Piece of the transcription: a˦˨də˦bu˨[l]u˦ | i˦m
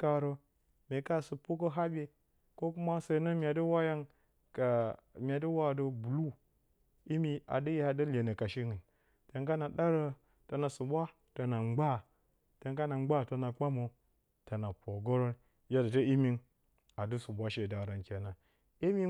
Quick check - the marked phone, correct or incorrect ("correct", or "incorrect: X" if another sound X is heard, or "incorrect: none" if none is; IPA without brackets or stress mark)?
correct